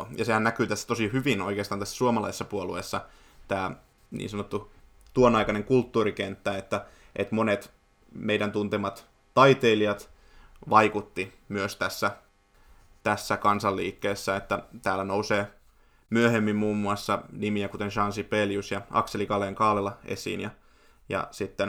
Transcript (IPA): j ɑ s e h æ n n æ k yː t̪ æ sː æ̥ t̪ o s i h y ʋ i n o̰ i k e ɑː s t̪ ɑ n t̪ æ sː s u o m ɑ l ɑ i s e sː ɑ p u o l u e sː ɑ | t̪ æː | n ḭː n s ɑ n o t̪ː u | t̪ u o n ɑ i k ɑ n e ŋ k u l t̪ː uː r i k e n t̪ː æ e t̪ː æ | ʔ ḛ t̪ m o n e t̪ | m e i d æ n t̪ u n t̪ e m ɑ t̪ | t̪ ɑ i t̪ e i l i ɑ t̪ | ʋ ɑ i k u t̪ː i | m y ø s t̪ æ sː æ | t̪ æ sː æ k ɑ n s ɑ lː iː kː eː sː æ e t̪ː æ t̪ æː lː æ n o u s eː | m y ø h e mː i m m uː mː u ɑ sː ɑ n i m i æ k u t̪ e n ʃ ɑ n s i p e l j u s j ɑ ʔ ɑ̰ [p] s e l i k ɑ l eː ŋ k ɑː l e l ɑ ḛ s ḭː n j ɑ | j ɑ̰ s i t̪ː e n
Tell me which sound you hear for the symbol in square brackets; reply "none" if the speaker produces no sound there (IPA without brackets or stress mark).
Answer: k